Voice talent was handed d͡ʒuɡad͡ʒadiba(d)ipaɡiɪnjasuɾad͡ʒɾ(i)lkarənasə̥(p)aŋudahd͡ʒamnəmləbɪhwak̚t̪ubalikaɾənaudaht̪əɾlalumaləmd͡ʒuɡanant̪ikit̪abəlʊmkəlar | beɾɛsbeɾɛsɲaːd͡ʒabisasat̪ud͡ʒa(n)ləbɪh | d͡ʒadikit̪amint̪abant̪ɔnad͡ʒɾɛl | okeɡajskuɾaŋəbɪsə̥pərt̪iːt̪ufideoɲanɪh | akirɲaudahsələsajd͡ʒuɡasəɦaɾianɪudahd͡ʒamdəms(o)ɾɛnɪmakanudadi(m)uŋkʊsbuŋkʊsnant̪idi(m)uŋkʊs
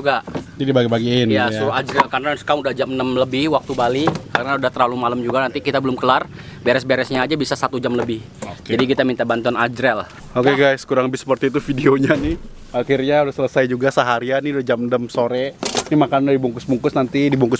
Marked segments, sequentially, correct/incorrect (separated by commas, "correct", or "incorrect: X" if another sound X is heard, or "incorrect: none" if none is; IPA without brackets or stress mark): incorrect: ɡ, incorrect: ɛ, incorrect: k, incorrect: m, correct, incorrect: b, incorrect: b